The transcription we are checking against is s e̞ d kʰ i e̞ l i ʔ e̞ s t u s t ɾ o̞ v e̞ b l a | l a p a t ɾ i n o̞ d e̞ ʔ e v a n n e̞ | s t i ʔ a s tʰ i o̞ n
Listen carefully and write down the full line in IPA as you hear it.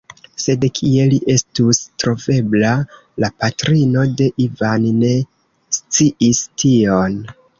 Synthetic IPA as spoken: s e̞ d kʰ i e̞ l i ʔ e̞ s t u s t ɾ o̞ v e̞ b l a | l a p a t ɾ i n o̞ d e̞ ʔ i v a n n e̞ | s t͡s i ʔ i s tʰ i o̞ n